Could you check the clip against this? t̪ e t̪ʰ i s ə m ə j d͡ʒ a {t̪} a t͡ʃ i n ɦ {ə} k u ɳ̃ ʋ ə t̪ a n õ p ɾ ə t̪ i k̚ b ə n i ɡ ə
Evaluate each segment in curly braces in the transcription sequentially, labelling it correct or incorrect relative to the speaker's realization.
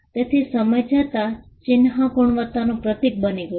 correct, incorrect

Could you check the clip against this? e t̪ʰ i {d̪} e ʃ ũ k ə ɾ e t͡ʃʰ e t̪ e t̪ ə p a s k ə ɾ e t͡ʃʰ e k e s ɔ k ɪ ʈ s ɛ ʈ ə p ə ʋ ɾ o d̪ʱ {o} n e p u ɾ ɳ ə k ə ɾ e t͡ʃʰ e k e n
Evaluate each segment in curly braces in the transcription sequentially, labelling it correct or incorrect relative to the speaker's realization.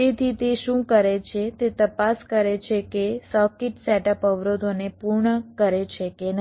incorrect, correct

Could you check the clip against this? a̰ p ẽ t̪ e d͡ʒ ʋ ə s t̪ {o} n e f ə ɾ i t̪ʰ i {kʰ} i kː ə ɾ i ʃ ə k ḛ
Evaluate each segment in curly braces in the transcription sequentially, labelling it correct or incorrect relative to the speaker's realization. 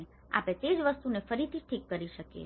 incorrect, incorrect

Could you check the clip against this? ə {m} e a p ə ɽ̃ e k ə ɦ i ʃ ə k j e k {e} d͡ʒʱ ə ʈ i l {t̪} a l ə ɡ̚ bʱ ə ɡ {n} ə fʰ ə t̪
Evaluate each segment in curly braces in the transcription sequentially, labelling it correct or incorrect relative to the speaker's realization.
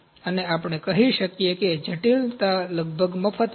incorrect, correct, correct, incorrect

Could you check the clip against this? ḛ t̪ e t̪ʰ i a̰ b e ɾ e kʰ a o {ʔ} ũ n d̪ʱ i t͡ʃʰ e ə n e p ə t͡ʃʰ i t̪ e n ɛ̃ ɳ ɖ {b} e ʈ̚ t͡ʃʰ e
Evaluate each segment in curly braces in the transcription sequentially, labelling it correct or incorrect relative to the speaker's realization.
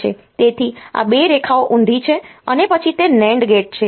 correct, incorrect

